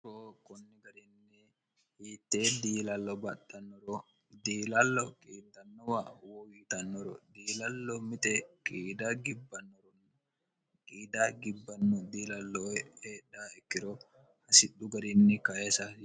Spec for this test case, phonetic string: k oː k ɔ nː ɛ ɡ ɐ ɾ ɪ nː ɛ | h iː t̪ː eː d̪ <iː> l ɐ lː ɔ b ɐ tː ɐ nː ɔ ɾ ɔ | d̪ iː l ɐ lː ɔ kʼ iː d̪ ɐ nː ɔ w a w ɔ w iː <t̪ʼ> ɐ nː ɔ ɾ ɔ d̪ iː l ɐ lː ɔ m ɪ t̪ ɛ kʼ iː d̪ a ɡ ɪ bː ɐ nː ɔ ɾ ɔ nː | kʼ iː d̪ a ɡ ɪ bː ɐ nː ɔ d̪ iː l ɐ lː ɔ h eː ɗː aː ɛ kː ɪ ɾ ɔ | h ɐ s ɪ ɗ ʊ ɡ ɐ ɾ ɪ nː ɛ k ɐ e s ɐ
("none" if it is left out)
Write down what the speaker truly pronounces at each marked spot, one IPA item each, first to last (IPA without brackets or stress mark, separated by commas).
iː, t̪